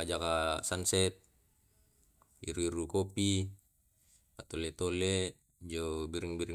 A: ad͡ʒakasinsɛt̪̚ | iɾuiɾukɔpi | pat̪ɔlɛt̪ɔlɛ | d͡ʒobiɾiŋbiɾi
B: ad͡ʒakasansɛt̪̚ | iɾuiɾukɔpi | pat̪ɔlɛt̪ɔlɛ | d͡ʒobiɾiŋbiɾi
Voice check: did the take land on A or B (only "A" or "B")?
B